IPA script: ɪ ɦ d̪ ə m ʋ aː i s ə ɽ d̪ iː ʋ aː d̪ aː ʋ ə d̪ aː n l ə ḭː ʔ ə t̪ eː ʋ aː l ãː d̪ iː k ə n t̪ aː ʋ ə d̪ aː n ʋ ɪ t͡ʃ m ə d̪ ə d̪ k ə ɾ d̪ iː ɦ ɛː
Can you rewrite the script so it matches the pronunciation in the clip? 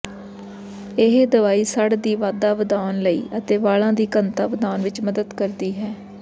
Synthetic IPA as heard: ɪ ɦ d̪ ə ʋ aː iː s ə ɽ d̪ iː ʋ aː d̪ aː ʋ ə d̪ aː n l ə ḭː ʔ ə t̪ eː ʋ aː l ãː d̪ iː k ə n t̪ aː ʋ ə d̪ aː n ʋ ɪ t͡ʃ m ə d̪ ə d̪ k ə ɾ d̪ iː ɦ ɛː